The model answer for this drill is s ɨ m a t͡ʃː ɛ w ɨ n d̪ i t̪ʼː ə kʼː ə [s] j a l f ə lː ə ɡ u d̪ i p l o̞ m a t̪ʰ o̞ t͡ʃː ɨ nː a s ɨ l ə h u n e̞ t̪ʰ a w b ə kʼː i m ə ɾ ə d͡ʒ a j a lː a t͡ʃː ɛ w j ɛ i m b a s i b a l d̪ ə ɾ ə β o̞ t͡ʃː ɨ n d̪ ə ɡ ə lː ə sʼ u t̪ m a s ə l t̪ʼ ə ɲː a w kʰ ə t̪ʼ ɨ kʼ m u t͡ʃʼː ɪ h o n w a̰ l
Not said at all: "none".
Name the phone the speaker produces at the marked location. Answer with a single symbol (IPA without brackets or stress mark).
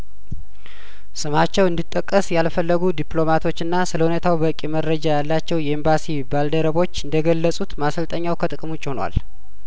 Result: s